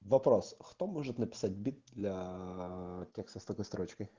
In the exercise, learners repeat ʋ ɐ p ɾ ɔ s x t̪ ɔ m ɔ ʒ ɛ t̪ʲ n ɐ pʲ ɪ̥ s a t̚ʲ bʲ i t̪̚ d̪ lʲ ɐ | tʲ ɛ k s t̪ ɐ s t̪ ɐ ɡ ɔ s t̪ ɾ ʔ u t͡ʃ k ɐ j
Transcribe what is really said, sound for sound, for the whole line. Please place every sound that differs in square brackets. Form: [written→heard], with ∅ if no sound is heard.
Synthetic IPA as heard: ʋ ɐ p ɾ ɔ s x t̪ ɔ m ɔ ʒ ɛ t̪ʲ n ɐ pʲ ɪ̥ s a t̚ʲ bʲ i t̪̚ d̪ lʲ ɐ | tʲ ɛ k s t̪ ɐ s t̪ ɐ [ɡ→k] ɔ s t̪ ɾ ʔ [u→ɔ] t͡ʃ k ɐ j